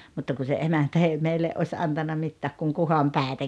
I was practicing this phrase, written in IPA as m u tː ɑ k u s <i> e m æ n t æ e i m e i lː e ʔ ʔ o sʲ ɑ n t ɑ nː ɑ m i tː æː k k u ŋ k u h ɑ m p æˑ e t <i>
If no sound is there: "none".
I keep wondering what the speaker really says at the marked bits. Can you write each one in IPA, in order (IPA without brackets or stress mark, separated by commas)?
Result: e, æ